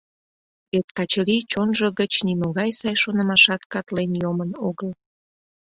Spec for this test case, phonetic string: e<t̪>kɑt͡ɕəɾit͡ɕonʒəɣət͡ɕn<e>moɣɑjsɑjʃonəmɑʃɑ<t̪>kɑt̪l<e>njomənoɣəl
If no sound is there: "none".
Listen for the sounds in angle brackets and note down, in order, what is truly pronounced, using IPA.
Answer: t̪, i, t̪, e

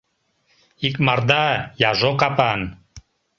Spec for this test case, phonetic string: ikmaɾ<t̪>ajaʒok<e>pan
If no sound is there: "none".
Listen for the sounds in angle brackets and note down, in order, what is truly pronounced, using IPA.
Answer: d̪, a

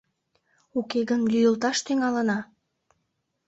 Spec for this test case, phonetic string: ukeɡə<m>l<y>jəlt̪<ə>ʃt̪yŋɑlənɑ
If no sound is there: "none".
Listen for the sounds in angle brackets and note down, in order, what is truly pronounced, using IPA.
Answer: n, y, ɑ

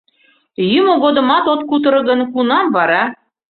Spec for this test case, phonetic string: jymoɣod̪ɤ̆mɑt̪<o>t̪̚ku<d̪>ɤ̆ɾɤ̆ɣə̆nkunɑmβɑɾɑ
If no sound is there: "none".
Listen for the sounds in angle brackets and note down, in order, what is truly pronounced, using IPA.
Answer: o, t̪

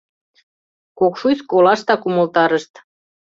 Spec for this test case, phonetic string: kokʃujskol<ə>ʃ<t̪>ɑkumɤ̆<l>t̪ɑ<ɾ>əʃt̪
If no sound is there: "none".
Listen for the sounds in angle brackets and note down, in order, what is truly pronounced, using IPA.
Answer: ɑ, t̪, l, ɾ

